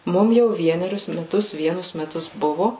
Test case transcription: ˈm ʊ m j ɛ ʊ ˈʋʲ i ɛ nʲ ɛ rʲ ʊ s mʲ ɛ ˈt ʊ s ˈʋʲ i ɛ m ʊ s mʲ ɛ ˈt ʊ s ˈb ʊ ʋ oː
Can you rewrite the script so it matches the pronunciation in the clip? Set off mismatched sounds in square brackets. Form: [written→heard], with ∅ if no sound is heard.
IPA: ˈm ʊ m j ɛ ʊ ˈʋʲ i ɛ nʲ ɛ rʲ ʊ s mʲ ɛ ˈt ʊ s ˈʋʲ i ɛ [m→n] ʊ s mʲ ɛ ˈt ʊ s ˈb ʊ ʋ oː